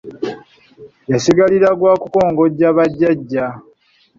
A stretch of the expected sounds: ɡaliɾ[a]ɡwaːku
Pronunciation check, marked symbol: correct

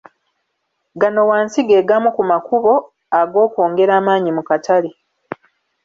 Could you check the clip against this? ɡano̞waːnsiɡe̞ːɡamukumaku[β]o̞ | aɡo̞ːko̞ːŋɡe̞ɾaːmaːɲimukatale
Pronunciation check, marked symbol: correct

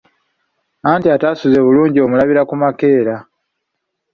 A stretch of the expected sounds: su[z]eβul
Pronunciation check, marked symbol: correct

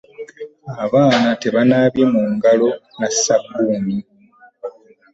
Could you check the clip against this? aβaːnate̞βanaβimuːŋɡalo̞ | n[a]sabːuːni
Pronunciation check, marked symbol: correct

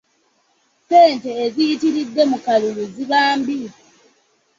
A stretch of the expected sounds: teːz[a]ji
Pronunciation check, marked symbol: incorrect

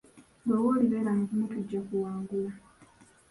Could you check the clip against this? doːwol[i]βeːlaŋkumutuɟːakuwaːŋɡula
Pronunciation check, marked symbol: correct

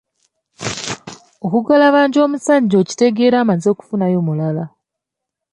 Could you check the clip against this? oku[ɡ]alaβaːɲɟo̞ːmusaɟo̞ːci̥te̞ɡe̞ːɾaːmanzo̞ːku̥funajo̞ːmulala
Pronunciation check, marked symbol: correct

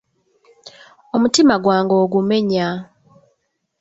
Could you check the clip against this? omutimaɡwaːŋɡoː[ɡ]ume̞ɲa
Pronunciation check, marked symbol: correct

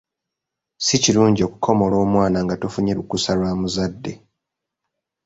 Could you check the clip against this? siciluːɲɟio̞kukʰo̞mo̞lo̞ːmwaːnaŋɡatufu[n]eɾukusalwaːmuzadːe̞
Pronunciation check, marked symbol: incorrect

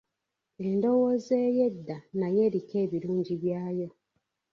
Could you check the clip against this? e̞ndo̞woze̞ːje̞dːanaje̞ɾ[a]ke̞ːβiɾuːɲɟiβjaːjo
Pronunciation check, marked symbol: incorrect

